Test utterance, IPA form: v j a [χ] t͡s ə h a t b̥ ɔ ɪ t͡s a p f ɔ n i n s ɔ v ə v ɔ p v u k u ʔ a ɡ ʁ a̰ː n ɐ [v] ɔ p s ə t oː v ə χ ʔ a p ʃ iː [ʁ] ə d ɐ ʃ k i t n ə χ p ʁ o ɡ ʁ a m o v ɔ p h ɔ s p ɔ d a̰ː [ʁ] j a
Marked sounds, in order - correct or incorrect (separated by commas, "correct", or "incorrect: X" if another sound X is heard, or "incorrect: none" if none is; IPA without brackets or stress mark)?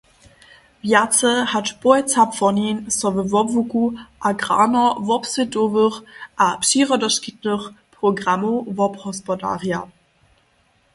incorrect: none, correct, correct, correct